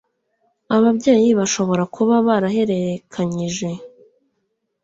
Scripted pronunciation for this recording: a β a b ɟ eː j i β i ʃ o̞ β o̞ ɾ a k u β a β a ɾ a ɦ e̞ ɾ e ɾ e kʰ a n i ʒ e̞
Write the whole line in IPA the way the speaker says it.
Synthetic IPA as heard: a β a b ɟ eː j i β a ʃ o̞ β o̞ ɾ a k u β a β a ɾ a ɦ e̞ ɾ e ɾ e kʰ a ɲ i ʒ e̞